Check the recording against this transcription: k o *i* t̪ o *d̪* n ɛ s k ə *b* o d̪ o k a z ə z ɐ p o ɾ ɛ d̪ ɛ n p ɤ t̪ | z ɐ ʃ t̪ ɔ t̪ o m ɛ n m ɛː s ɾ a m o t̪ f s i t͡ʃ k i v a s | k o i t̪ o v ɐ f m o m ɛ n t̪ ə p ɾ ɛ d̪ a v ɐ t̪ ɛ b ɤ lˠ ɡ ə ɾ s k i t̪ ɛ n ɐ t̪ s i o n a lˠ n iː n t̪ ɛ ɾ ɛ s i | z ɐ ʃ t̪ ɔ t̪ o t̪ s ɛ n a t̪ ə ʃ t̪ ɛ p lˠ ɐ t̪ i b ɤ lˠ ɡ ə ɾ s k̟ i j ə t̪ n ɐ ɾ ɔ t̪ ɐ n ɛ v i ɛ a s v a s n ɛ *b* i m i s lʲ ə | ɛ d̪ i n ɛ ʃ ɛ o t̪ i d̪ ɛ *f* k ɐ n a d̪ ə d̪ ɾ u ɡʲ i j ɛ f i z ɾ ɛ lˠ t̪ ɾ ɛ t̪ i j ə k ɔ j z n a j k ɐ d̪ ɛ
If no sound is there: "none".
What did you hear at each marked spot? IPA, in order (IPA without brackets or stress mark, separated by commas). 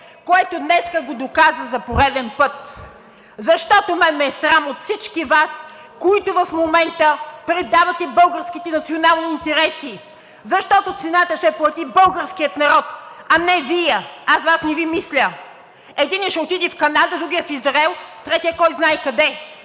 ɛ, d̪, ɡ, v, f